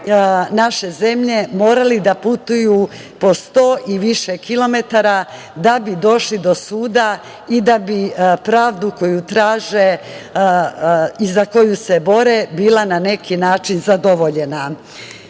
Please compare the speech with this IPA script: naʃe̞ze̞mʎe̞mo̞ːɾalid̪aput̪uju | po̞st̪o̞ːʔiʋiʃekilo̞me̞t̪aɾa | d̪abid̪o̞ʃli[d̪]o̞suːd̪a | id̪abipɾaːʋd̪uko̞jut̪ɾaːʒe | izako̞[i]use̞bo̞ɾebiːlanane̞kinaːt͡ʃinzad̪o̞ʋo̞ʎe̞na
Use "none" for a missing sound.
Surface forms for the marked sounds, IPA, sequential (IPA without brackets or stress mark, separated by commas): d̪, j